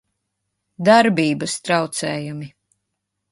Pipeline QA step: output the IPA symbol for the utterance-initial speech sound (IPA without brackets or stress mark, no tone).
d̪